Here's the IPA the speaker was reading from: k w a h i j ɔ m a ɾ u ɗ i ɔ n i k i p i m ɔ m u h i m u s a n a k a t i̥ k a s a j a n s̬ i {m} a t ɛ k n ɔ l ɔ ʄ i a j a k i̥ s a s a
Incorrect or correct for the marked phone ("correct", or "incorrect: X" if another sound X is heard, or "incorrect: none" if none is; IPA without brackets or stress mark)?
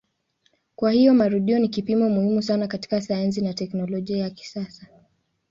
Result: incorrect: n